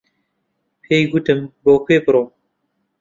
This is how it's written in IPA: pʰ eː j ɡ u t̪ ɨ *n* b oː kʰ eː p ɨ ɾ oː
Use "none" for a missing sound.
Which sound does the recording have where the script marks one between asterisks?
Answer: m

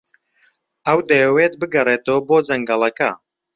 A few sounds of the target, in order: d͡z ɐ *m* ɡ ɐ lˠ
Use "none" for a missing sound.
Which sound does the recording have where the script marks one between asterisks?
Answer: ŋ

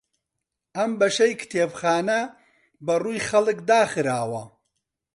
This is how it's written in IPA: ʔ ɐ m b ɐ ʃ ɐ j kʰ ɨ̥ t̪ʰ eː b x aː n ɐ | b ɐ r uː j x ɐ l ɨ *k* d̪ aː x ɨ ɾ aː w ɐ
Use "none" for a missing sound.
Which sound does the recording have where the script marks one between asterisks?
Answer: k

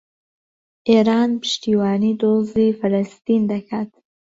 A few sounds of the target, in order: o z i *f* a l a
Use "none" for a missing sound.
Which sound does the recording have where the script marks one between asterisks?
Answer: f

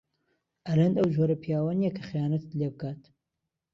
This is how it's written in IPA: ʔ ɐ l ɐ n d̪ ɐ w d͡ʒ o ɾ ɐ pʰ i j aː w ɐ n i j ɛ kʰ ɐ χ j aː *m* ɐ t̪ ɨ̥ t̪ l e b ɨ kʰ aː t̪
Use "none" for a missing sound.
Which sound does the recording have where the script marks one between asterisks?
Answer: n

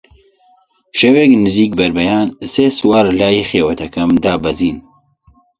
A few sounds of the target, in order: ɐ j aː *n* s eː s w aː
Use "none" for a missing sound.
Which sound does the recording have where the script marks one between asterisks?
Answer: n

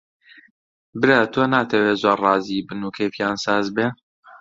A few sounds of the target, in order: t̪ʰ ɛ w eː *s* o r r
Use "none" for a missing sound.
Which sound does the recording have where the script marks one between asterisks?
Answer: z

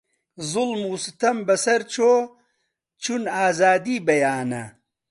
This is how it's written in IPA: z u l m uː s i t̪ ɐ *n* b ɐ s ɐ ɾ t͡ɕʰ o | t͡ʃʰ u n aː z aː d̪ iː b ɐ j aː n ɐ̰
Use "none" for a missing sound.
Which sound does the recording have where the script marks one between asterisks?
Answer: m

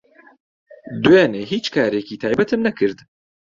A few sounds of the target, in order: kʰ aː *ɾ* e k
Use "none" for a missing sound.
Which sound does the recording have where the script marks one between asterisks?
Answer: ɾ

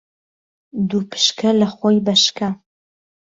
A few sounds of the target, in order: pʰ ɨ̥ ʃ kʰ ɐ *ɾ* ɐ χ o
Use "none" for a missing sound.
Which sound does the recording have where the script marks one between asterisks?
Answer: l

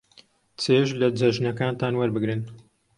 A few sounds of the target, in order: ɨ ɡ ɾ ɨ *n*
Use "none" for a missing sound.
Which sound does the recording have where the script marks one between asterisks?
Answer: n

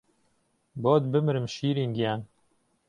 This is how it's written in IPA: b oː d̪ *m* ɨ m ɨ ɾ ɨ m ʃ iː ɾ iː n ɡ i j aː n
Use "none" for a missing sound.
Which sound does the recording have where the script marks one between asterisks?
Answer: b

